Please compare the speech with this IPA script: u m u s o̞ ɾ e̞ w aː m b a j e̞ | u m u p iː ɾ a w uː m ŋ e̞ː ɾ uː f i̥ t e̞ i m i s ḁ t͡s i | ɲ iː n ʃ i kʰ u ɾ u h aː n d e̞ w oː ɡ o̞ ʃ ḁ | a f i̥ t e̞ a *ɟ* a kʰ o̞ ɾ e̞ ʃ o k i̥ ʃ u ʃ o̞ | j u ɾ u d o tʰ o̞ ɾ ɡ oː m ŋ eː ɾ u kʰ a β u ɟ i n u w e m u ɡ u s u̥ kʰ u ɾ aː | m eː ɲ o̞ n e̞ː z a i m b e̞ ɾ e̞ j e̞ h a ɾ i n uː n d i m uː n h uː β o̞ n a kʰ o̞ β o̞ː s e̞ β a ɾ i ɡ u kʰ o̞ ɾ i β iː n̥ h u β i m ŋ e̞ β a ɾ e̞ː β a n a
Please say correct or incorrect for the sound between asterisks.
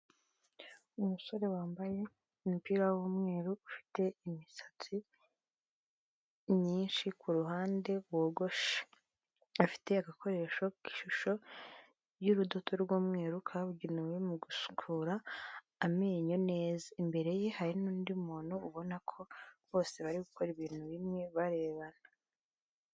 incorrect